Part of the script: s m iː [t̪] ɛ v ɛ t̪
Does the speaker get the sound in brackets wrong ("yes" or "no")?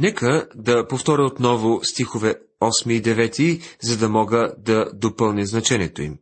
yes